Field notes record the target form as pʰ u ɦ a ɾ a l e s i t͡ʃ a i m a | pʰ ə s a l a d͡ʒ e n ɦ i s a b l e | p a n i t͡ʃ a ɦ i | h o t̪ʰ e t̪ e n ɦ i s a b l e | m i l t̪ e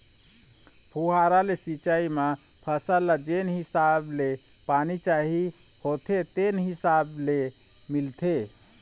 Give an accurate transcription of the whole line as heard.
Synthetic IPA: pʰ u ɦ a ɾ a l e s i t͡ʃ a i m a | pʰ ə s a l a d͡ʒ e n ɦ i s a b l e | p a n i t͡ʃ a ɦ i | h o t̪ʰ e t̪ e n ɦ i s a b l e | m i l t̪ʰ e